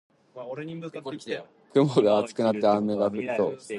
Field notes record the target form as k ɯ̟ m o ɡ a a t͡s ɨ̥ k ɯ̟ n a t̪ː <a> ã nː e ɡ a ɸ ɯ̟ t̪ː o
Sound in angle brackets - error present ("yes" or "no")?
yes